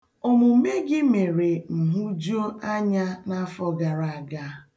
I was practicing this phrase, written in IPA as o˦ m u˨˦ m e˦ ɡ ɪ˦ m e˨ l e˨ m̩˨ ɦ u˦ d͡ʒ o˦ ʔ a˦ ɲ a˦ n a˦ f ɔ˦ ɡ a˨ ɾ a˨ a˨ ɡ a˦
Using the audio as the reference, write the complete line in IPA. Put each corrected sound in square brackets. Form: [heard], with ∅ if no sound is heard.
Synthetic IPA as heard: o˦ m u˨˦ m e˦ ɡ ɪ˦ m e˨ [ɾ] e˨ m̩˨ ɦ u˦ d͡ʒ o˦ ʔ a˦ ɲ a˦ n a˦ f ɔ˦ ɡ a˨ ɾ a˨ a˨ ɡ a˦